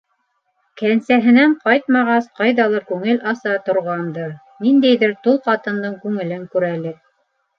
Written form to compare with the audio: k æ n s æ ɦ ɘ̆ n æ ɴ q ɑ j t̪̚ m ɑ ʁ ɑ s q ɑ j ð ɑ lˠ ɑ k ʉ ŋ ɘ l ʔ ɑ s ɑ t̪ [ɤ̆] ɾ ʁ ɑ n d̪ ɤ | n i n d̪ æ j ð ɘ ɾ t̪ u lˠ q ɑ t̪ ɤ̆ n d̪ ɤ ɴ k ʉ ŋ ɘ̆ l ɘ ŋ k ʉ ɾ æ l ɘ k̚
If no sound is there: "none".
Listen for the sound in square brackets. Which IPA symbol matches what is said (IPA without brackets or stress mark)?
ŏ